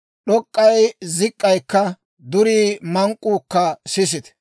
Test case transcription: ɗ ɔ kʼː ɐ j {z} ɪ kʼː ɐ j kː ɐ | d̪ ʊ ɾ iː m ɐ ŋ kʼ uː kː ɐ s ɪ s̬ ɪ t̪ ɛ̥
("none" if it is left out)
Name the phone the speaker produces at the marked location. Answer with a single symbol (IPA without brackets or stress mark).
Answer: z